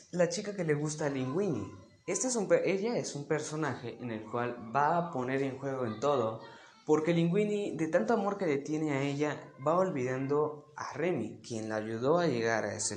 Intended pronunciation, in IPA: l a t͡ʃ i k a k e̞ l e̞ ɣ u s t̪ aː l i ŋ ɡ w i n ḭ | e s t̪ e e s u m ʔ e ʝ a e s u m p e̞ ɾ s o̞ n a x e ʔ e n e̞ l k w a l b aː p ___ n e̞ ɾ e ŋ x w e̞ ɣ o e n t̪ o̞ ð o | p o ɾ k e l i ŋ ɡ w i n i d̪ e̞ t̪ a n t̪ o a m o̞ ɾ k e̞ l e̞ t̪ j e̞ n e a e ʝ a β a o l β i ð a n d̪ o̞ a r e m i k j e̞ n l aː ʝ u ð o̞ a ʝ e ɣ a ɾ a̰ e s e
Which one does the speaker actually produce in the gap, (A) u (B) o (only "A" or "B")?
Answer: B